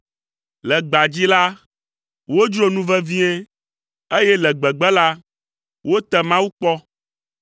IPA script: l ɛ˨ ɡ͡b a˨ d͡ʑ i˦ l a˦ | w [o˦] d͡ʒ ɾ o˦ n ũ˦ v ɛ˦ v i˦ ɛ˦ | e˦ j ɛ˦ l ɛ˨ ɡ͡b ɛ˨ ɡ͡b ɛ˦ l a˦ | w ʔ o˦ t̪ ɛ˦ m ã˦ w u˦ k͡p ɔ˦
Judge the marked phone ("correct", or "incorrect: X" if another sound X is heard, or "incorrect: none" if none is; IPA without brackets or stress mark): correct